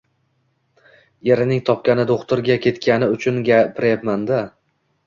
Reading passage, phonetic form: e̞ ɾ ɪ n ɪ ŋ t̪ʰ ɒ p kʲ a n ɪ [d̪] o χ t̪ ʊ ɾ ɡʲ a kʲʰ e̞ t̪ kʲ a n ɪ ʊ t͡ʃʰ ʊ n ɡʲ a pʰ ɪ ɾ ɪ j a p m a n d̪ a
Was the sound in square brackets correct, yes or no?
yes